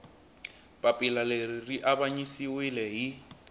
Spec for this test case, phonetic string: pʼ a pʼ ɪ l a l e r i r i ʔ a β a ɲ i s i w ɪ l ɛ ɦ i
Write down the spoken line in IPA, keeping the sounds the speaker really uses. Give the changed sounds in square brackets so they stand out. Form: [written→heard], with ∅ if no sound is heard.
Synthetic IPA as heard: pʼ a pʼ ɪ l a l e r i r i ʔ a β a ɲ i s i w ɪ l ɛ ɦ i